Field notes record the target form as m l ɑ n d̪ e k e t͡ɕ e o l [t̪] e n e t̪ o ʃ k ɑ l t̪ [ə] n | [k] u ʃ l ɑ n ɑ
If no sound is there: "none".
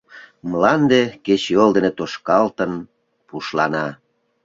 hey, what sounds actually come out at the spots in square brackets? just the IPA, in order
d̪, ə, p

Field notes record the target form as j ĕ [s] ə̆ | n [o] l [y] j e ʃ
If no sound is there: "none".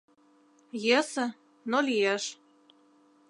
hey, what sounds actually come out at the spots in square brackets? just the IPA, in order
s, o, i

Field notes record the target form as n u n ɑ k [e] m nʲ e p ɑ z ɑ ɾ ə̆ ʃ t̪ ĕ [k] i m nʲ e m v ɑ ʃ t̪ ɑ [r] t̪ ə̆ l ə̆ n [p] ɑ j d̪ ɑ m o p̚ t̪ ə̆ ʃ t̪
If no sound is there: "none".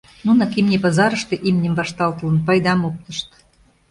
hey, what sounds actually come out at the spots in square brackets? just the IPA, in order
i, ʔ, l, p

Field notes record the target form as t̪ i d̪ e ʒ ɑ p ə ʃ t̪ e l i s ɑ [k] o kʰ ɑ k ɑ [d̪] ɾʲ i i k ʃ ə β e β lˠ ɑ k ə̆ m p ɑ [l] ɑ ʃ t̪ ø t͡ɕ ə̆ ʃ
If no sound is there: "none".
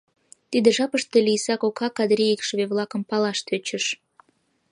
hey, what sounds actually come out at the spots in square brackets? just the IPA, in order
k, d̪, l

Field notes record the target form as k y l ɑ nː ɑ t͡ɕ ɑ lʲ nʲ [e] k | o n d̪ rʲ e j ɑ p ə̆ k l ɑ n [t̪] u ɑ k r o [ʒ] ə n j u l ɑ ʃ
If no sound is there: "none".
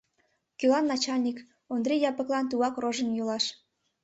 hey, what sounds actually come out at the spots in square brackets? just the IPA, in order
i, t̪, ʒ

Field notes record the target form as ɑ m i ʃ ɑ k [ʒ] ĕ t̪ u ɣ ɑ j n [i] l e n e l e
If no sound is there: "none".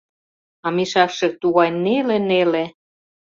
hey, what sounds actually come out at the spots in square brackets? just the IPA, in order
ʃ, e

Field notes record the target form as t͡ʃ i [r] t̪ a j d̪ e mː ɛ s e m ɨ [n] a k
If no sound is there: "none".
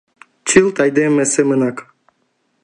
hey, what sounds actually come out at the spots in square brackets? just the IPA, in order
l, n

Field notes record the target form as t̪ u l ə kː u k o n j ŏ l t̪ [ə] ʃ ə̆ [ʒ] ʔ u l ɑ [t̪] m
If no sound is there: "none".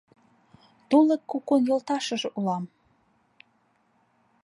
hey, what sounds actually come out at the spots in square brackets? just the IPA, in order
ɑ, ʒ, none

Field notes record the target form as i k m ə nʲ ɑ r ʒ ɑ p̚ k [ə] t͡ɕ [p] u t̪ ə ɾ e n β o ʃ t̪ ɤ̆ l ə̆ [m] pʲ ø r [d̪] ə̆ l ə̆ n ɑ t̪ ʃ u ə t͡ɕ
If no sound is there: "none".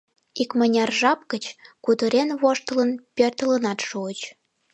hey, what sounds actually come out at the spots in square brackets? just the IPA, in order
ə, k, n, t̪

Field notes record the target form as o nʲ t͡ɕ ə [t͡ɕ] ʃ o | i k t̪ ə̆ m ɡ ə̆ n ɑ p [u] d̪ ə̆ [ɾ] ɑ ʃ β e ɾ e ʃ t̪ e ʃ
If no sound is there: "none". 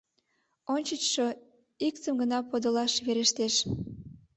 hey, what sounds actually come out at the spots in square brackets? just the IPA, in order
t͡ɕ, o, l

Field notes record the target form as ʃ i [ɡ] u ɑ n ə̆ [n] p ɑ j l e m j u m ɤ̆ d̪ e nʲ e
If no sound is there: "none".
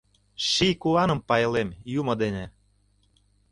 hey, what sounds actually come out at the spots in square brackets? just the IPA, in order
k, m

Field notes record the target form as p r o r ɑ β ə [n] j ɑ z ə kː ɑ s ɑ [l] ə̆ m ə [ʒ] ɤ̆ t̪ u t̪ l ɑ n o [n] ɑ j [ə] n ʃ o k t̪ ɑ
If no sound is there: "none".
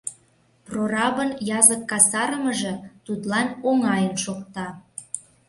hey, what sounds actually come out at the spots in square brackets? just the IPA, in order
n, ɾ, ʒ, ŋ, ə

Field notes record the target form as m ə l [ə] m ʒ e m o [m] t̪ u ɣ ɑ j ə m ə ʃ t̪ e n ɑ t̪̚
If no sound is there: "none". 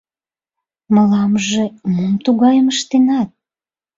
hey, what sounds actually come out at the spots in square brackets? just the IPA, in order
ɑ, m

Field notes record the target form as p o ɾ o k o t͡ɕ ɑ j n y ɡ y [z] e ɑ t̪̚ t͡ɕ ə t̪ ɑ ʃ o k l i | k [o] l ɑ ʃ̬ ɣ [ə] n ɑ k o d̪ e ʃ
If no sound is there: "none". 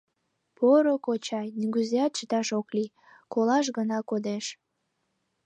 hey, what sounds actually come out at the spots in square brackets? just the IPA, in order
z, o, ə

